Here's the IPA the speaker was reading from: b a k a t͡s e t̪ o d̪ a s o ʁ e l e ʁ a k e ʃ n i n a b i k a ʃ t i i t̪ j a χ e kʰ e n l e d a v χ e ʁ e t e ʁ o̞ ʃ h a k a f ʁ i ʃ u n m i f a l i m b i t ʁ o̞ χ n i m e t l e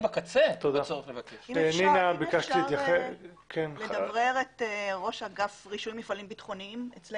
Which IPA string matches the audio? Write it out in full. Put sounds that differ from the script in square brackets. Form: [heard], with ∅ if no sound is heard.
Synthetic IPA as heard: b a k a t͡s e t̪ o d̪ a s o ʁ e l e [v] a k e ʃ n i n a b i k a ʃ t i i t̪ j a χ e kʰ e n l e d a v [ʁ] e ʁ e t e ʁ o̞ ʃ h a [ɡ] a f ʁ i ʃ u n m i f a l i m b i t [χ] o̞ [∅] n i m e [t͡s] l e